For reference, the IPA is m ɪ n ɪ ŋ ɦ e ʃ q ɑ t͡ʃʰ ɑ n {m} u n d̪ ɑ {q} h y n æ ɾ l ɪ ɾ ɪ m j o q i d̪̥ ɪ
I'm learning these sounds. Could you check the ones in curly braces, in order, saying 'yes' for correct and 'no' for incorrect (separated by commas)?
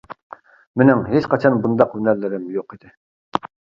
no, yes